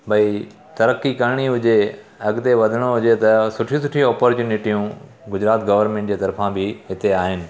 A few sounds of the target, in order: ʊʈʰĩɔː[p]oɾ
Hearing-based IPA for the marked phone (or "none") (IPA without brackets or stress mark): p